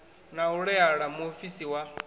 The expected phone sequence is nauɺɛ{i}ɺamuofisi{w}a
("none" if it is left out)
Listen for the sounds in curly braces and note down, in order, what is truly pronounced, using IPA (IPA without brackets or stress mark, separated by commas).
a, w